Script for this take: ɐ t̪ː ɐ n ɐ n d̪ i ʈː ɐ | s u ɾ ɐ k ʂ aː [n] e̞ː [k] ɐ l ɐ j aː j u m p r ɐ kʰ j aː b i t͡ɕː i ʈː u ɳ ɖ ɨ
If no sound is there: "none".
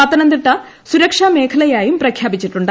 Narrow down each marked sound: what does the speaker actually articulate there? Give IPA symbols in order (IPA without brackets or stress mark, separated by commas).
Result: m, kʰ